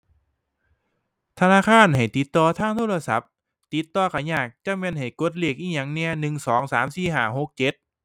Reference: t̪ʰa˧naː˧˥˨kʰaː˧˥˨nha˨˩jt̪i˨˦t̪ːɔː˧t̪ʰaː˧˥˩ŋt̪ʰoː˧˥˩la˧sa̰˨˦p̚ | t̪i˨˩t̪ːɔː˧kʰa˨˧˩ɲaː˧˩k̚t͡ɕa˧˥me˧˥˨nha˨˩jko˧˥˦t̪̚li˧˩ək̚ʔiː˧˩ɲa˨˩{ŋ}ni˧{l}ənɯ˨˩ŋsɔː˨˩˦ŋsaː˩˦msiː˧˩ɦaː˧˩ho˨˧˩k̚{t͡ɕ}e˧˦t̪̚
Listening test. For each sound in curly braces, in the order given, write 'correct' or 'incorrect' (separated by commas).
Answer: correct, incorrect, correct